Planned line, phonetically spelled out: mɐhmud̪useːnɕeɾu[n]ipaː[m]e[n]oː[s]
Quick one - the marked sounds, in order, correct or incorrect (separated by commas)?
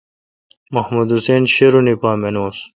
correct, correct, correct, correct